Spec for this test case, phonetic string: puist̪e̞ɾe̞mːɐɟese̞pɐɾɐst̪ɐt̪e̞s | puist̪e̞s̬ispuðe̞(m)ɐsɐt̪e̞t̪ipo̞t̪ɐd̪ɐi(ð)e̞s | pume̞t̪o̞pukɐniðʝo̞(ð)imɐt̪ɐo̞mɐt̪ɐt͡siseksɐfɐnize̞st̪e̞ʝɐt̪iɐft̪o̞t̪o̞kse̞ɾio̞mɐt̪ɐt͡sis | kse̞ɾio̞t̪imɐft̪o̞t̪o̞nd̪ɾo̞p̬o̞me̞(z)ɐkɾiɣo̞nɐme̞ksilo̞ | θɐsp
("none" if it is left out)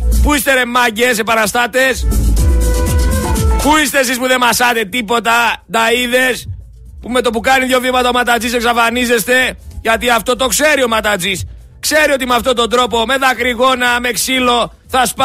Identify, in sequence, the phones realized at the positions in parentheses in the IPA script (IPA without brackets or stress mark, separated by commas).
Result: m, ð, v, ð